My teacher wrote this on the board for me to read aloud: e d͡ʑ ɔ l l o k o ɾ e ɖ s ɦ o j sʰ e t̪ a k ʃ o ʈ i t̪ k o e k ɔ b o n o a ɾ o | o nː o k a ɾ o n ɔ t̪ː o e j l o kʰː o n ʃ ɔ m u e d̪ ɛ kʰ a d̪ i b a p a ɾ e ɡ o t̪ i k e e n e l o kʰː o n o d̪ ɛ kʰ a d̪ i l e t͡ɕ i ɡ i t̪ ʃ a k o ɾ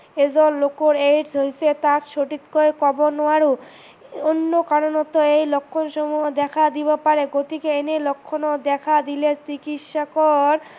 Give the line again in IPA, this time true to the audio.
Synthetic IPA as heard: e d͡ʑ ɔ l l o k o ɾ e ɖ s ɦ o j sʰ e t̪ a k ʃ o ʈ i t̪ k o e k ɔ b o n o a ɾ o | o nː o k a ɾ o n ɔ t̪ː o e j l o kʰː o n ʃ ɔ m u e d̪ ɛ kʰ a d̪ i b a p a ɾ e ɡ o t̪ i k e e n e l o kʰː o n o d̪ ɛ kʰ a d̪ i l e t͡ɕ i k i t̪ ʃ a k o ɾ